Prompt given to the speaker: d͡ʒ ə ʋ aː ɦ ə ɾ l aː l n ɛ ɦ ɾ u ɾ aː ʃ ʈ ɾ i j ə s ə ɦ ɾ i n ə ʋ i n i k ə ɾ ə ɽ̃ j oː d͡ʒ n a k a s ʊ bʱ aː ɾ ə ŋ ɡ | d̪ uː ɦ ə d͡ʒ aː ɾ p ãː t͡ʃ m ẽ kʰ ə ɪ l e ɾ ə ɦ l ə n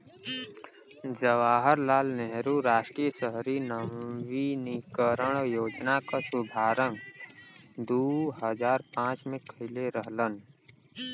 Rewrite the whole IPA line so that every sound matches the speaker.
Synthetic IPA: d͡ʒ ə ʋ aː ɦ ə ɾ l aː l n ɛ ɦ ɾ u ɾ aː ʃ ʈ ɾ i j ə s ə ɦ ɾ i n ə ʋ i n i k ə ɾ ə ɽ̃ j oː d͡ʒ n a k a s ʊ bʱ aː ɾ ə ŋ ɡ | d̪ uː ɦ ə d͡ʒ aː ɾ p ãː t͡ʃ m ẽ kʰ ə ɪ l e ɾ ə ɦ l ə n